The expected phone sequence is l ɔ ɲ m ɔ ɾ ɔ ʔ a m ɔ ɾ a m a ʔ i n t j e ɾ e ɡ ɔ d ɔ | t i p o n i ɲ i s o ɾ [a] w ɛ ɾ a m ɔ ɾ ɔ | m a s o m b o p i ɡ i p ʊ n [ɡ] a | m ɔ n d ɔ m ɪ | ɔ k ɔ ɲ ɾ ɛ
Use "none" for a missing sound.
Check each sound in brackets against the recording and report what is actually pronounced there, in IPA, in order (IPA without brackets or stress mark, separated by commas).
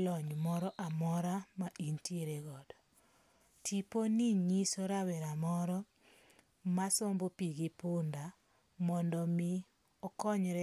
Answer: a, d